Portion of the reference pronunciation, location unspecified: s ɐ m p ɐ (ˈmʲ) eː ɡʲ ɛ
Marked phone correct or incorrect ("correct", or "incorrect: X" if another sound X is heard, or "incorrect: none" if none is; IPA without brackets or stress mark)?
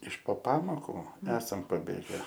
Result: incorrect: bʲ